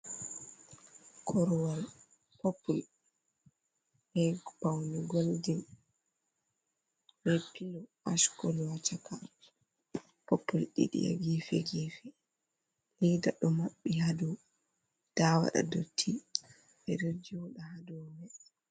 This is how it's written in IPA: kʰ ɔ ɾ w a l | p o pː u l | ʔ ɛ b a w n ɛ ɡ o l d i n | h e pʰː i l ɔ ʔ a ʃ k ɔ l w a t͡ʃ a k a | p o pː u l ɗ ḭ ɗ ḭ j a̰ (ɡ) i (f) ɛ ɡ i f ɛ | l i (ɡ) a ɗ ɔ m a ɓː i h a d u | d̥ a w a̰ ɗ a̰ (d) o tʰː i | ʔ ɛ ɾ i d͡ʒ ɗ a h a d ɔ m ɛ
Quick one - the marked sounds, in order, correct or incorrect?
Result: correct, correct, incorrect, correct

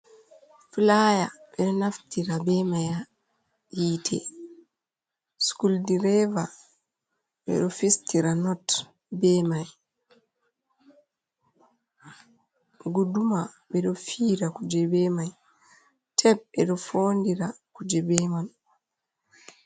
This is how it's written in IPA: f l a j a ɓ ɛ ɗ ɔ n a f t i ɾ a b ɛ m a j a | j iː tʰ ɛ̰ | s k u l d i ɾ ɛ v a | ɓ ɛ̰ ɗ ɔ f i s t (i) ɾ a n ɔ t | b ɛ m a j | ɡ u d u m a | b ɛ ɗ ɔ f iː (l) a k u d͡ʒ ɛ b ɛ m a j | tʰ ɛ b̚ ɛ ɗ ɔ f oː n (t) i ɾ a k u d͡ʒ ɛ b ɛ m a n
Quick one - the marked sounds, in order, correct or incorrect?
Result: correct, incorrect, incorrect

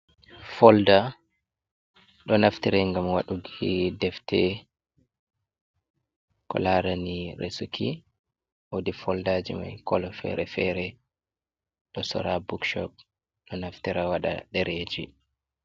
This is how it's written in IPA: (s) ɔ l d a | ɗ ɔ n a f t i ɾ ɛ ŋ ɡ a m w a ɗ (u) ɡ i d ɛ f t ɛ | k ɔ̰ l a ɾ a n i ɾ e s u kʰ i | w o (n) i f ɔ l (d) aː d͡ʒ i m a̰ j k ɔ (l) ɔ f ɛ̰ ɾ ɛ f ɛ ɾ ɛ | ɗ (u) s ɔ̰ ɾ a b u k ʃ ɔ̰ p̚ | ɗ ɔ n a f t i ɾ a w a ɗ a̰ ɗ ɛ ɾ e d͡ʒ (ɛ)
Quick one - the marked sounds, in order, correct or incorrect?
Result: incorrect, correct, incorrect, correct, correct, incorrect, incorrect

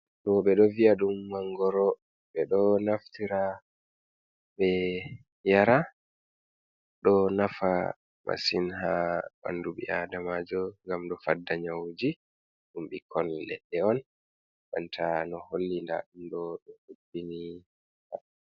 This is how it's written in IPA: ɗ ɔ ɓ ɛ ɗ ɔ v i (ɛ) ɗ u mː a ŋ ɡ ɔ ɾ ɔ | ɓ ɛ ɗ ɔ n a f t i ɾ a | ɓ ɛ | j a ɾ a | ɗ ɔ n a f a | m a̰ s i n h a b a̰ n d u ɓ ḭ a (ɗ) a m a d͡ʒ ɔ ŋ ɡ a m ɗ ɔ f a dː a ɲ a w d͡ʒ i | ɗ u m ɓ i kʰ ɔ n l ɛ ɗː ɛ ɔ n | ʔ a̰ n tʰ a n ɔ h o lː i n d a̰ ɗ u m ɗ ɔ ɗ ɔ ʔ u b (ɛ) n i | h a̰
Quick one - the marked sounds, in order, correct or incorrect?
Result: incorrect, incorrect, incorrect

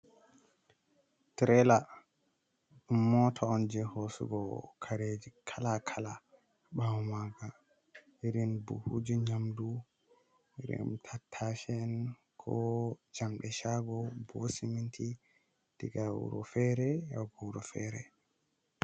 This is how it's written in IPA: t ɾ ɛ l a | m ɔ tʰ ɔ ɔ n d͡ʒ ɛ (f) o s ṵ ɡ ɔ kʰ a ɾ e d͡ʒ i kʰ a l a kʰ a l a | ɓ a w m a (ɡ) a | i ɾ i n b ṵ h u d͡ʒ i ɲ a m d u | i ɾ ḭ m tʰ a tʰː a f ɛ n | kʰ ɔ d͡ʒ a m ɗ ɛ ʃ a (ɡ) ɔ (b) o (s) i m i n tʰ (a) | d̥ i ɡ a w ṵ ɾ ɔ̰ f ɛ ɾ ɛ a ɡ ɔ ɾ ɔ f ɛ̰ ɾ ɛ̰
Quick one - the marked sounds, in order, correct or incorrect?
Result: incorrect, correct, correct, correct, correct, incorrect

